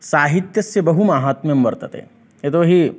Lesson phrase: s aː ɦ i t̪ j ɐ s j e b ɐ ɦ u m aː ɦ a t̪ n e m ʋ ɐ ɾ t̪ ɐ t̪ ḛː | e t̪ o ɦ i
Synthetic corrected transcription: s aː ɦ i t̪ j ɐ s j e b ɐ ɦ u m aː ɦ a t̪ m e m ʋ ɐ ɾ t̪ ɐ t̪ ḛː | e t̪ o ɦ i